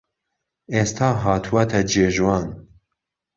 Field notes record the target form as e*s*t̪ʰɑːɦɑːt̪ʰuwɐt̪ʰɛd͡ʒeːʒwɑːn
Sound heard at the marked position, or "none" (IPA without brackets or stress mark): s